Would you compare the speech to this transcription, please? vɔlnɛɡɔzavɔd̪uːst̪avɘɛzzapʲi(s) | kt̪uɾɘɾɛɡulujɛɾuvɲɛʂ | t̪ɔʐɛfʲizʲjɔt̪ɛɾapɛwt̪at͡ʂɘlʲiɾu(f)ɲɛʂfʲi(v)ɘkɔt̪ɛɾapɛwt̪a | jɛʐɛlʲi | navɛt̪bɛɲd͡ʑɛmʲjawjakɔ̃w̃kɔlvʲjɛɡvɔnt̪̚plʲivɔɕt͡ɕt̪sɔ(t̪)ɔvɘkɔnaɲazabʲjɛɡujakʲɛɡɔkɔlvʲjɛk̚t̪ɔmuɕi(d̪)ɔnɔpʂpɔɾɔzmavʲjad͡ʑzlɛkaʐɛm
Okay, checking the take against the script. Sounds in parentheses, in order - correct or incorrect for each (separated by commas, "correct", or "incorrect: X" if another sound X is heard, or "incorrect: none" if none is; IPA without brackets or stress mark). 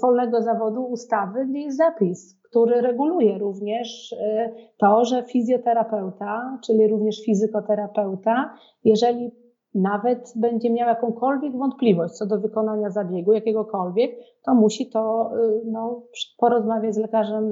correct, incorrect: v, incorrect: z, incorrect: d̪, incorrect: t̪